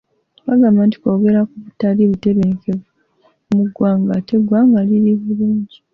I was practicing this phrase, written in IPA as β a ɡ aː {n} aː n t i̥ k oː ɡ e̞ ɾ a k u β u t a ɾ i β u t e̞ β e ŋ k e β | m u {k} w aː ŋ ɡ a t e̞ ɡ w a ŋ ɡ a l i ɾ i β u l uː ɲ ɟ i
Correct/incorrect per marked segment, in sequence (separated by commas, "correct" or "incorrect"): incorrect, incorrect